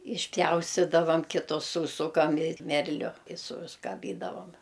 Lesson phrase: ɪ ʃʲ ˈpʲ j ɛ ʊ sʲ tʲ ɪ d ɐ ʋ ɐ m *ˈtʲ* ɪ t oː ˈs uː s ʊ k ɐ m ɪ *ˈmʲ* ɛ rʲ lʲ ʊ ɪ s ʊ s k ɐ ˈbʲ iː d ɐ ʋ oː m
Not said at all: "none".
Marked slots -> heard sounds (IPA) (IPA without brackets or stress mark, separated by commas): kʲ, mʲ